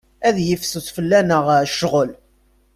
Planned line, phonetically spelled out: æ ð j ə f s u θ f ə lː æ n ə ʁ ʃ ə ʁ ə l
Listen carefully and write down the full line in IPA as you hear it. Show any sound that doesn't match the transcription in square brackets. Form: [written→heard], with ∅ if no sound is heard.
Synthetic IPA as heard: æ ð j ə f s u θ f ə lː æ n ə ʁ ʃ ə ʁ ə l